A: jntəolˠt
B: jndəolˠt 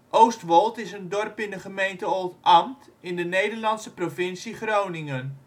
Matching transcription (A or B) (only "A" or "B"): A